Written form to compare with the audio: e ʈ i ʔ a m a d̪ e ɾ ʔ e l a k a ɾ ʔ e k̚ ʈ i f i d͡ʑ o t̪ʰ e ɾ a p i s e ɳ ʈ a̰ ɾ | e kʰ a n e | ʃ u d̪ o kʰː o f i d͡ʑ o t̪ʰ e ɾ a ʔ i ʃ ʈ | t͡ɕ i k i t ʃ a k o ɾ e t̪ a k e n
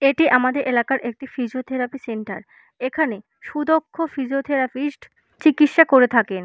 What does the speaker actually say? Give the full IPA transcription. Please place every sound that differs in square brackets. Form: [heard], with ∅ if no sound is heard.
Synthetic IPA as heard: e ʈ i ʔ a m a d̪ e ɾ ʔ e l a k a ɾ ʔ e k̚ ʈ i f i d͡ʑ o t̪ʰ e ɾ a p i s e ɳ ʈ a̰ ɾ | e kʰ a n e | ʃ u d̪ o kʰː o f i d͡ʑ o t̪ʰ e ɾ a [p] i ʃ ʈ | t͡ɕ i k i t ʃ a k o ɾ e [t̪ʰ] a k e n

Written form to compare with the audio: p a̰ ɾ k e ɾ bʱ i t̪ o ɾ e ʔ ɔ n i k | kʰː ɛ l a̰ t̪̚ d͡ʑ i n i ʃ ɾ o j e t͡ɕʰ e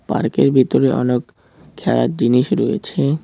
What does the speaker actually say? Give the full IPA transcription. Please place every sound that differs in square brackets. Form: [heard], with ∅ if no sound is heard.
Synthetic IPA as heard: p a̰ ɾ k e ɾ bʱ i t̪ o ɾ e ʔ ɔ n [e] k | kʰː ɛ l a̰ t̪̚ d͡ʑ i n i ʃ ɾ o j e t͡ɕʰ e

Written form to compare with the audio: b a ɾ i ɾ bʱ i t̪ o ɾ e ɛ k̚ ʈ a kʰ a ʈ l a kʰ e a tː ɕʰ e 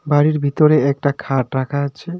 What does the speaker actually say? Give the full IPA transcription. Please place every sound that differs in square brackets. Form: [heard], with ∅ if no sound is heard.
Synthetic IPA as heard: b a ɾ i ɾ bʱ i t̪ o ɾ e ɛ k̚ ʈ a kʰ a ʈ [ɾ] a kʰ [a] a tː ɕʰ e

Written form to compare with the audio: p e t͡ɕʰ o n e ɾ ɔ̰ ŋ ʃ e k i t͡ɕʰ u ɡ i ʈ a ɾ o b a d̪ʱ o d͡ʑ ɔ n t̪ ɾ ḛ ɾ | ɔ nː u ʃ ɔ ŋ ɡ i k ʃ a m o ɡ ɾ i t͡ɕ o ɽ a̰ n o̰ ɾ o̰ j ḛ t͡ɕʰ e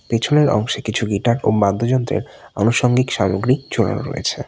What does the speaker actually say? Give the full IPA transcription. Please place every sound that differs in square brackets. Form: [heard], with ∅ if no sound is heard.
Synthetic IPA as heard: p e t͡ɕʰ o n e ɾ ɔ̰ ŋ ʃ e k i t͡ɕʰ u ɡ i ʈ a ɾ o b a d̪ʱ o d͡ʑ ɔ n t̪ ɾ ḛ ɾ | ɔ [n] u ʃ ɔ ŋ ɡ i k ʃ a m o ɡ ɾ i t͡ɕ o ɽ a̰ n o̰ ɾ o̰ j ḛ t͡ɕʰ e

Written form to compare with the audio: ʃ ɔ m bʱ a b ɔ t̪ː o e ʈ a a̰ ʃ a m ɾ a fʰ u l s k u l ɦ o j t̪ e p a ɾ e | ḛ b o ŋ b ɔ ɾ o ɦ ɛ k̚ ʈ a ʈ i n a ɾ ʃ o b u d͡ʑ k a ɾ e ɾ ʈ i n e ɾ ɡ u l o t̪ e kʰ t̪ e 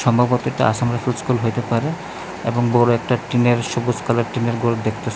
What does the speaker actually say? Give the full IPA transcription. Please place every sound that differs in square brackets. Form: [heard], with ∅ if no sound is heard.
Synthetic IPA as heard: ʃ ɔ m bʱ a b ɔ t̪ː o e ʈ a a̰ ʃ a m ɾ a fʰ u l s k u l ɦ o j t̪ e p a ɾ e | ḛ b o ŋ b ɔ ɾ o [∅] ɛ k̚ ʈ a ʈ i n [e] ɾ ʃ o b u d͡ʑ k a [l] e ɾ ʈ i n e ɾ ɡ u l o [d̪] e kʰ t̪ e

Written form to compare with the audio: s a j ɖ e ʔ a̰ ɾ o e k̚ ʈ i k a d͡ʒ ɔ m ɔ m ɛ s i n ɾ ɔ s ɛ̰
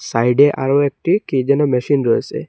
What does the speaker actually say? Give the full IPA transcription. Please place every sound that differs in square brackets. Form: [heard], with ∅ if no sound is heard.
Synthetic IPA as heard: s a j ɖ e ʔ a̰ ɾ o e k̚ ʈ i k [i] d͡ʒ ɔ [n] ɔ m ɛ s i n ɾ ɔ s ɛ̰

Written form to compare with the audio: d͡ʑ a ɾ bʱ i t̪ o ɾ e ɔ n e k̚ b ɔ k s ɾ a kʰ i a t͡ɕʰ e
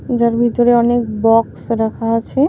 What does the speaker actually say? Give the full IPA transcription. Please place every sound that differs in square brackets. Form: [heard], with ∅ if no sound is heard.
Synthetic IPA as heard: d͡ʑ a ɾ bʱ i t̪ o ɾ e ɔ n e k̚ b ɔ k s ɾ a kʰ [a] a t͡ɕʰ e

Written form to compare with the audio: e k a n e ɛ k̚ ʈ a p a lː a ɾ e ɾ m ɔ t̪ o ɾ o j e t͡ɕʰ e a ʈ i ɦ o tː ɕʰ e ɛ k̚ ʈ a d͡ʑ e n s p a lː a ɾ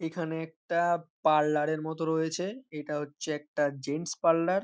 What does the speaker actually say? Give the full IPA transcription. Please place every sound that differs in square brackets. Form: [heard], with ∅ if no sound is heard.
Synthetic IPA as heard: e [kʰ] a n e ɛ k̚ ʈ a p a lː a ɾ e ɾ m ɔ t̪ o ɾ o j e t͡ɕʰ e [e] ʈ [a] ɦ o tː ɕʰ e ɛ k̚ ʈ a d͡ʑ e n s p a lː a ɾ

